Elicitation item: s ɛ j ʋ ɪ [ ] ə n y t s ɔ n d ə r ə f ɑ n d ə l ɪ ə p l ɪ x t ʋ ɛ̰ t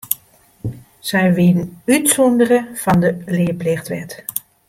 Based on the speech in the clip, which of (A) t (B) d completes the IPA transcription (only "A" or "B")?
B